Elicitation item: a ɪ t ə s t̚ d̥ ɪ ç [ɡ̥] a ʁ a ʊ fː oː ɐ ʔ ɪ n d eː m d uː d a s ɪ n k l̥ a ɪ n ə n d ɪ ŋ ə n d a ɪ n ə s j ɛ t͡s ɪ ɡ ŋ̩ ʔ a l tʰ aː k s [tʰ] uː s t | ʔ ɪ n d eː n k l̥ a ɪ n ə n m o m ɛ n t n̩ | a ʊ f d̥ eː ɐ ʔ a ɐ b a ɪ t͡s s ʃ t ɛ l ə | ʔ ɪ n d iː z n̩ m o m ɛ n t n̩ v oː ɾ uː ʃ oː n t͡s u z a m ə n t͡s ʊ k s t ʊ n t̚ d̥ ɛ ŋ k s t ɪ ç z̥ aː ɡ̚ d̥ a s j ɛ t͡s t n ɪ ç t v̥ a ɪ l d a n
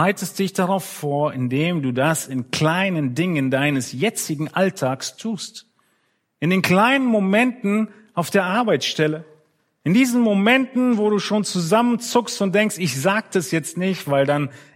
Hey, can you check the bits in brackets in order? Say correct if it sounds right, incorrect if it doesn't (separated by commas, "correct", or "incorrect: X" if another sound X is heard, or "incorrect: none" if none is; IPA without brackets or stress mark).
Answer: incorrect: d̥, correct